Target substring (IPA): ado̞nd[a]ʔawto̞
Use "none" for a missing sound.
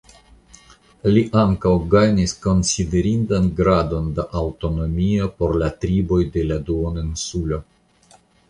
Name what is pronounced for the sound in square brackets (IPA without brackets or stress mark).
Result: a